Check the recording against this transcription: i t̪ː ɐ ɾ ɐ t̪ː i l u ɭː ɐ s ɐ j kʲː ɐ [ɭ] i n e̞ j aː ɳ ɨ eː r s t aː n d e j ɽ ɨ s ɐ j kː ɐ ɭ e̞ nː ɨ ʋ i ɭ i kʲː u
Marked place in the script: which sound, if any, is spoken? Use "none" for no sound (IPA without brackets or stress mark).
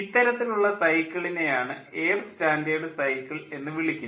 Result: ɭ